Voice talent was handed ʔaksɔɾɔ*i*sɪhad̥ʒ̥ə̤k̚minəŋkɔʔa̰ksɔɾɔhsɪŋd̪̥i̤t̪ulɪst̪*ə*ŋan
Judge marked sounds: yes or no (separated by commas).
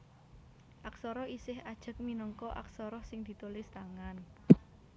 yes, no